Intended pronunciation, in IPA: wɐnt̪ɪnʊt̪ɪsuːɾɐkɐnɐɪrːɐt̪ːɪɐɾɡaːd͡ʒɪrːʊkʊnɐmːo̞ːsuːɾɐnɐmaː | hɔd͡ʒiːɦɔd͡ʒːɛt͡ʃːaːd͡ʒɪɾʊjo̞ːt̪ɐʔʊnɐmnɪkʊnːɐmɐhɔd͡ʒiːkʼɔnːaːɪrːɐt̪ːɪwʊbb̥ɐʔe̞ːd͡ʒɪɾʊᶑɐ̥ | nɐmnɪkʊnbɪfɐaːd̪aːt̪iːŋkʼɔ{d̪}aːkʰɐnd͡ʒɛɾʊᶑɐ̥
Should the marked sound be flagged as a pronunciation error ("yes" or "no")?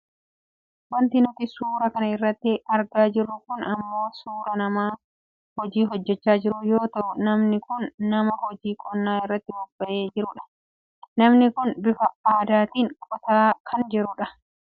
yes